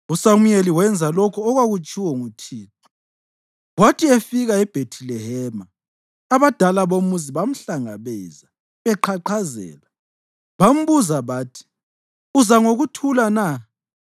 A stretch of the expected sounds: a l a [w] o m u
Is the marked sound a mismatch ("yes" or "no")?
yes